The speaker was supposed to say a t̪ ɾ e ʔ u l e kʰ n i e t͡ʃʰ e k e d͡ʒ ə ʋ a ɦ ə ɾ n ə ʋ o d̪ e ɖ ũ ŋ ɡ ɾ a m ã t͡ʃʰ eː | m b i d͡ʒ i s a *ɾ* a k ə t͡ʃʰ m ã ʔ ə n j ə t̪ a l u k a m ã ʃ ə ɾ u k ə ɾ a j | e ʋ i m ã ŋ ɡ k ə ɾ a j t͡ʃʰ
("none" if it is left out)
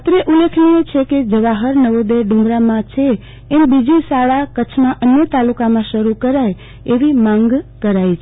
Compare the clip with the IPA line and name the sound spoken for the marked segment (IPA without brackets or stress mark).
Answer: ɭ